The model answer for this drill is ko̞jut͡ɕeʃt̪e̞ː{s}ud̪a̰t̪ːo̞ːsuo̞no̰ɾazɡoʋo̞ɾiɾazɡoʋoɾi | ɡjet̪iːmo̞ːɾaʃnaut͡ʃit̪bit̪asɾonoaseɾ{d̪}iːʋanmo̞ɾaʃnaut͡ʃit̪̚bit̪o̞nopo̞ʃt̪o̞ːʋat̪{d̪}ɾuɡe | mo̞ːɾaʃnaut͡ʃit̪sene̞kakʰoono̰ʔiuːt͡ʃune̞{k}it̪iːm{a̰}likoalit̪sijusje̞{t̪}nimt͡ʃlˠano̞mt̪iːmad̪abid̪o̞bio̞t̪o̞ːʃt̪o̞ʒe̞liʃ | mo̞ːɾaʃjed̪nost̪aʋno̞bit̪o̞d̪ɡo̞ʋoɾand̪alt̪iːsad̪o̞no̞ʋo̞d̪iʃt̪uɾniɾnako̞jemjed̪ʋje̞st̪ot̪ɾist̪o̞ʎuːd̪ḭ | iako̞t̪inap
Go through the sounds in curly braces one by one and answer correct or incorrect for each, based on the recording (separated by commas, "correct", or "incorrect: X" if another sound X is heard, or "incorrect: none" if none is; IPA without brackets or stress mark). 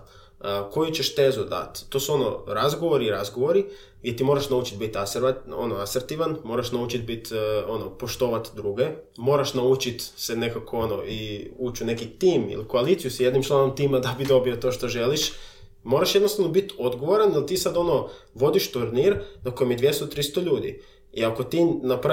incorrect: z, incorrect: t̪, correct, correct, incorrect: ḭ, incorrect: d̪